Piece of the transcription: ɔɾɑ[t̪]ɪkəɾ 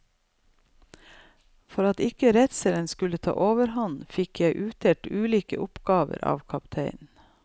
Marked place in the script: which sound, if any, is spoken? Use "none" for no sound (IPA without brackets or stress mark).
t̪